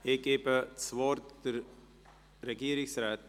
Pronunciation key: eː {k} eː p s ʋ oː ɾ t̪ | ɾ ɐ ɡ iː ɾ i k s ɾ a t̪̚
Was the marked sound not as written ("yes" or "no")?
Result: no